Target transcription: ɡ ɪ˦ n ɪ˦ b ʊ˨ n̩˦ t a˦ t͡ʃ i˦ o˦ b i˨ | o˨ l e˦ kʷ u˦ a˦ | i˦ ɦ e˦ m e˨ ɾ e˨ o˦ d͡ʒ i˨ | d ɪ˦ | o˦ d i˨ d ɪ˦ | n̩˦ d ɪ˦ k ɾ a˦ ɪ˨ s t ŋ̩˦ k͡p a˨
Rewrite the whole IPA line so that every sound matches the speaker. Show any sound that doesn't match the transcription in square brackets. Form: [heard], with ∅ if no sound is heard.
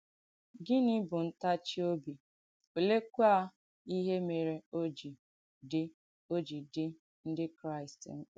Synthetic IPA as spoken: ɡ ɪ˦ n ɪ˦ b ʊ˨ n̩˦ t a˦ t͡ʃ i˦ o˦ b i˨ | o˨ l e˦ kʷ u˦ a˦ | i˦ ɦ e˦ m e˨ ɾ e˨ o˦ d͡ʒ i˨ | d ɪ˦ | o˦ [d͡ʒ] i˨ d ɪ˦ | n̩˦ d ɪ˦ k ɾ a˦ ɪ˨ s t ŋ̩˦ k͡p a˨